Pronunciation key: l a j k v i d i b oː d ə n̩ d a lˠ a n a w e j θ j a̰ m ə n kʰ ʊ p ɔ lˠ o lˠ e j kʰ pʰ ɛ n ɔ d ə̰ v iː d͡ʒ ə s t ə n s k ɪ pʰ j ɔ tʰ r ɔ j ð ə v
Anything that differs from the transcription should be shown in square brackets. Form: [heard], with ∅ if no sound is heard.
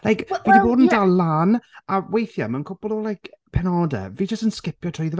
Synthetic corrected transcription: l a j k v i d i b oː d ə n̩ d a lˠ a n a w e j θ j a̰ m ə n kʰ ʊ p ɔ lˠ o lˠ [a] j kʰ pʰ ɛ n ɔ d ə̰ v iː d͡ʒ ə s t ə n s k ɪ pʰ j ɔ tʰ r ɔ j ð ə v

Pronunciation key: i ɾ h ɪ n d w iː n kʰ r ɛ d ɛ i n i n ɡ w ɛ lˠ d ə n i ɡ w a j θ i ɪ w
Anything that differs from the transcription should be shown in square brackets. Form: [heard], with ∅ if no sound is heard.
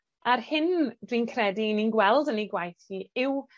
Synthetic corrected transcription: [a] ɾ h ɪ n d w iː n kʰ r ɛ d [i] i n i n ɡ w ɛ lˠ d ə n i ɡ w a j θ i ɪ w

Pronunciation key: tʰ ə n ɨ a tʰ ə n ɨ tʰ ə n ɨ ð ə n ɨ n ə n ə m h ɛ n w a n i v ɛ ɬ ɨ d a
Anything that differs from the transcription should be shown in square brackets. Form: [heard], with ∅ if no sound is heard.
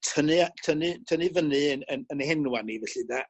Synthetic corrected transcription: tʰ ə n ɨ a tʰ ə n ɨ tʰ ə n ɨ [v] ə n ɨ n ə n ə [n] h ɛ n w a n i v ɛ ɬ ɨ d a

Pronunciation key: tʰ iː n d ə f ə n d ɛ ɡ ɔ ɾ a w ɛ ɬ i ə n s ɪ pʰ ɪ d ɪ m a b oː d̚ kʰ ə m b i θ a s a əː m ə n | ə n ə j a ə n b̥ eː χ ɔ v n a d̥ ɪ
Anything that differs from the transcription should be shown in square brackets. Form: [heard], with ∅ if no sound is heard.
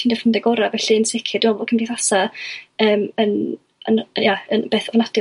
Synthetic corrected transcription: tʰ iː n d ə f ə n d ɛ ɡ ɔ ɾ a [v] ɛ ɬ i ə n s ɪ [kʰ] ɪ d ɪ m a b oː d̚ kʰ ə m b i θ a s a əː m ə n | ə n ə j a ə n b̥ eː [θ] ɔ v n a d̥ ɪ

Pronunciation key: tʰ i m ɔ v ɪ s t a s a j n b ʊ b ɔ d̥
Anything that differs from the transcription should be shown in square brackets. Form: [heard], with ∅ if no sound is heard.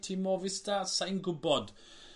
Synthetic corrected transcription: tʰ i m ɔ v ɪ s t a s a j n [ɡ] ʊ b ɔ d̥

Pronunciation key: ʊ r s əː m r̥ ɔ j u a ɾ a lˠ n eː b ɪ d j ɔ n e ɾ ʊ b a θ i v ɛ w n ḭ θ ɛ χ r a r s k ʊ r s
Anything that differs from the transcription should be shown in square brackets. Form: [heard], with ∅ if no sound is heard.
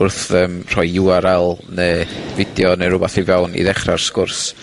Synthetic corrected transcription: ʊ r [θ] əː m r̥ ɔ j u a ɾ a lˠ n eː [v] ɪ d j ɔ n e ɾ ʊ b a θ i v ɛ w n ḭ [ð] ɛ χ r a r s k ʊ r s

